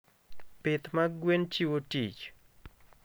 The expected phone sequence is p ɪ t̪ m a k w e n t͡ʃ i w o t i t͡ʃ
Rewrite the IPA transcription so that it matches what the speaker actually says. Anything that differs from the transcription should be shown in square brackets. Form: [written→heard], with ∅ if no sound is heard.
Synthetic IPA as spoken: p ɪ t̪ m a [k→ɡ] w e n t͡ʃ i w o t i t͡ʃ